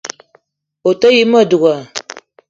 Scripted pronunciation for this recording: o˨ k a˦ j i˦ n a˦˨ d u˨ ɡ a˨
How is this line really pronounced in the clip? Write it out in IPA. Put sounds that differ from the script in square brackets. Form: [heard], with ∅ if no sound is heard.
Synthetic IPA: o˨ [t] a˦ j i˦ [m] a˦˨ d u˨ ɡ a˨